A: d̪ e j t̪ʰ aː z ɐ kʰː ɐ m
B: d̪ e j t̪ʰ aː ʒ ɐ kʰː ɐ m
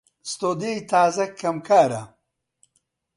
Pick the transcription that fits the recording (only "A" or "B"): A